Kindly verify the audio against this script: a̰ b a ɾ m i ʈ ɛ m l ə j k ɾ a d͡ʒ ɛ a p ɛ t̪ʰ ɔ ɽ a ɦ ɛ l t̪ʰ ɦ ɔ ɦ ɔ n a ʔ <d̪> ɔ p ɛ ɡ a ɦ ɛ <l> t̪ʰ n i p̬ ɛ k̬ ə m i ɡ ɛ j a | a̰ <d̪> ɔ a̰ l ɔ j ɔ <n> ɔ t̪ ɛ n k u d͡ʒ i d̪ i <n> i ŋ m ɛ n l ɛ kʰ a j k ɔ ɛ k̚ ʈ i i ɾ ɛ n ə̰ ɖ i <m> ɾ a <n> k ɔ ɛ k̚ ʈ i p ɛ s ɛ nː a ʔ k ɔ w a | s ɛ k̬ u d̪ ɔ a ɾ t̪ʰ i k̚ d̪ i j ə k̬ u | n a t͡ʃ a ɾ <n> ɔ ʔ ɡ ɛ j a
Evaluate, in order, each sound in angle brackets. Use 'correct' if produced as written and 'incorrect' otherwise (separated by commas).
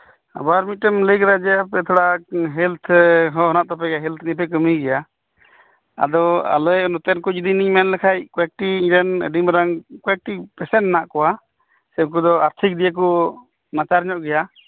incorrect, correct, correct, correct, correct, correct, incorrect, incorrect